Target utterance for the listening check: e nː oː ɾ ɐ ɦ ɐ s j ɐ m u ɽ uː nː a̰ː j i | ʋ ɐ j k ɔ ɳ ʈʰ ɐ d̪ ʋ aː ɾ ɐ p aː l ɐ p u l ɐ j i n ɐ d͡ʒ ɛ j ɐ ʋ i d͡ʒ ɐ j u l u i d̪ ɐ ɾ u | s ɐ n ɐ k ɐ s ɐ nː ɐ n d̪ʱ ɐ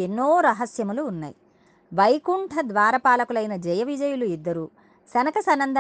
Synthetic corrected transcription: e nː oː ɾ ɐ ɦ ɐ s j ɐ m u l uː nː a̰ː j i | ʋ ɐ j k u ɳ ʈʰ ɐ d̪ ʋ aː ɾ ɐ p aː l ɐ k u l ɐ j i n ɐ d͡ʒ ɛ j ɐ ʋ i d͡ʒ ɐ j u l u i d̪ː ɐ ɾ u | s ɐ n ɐ k ɐ s ɐ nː ɐ n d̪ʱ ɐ